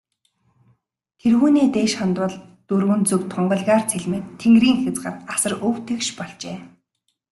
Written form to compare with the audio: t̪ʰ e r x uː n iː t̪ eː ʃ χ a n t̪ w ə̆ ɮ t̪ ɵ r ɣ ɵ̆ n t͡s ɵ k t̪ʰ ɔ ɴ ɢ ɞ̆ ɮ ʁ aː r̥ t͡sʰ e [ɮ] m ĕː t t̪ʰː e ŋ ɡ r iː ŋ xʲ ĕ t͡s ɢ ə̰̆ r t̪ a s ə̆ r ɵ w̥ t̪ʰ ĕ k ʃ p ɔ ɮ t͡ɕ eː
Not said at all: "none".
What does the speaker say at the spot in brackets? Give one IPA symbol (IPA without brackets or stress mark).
ɮ